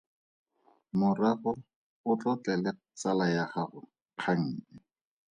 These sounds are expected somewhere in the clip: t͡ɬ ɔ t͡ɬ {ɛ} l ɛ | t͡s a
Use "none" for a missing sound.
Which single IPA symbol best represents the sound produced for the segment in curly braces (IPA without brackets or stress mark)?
ɛ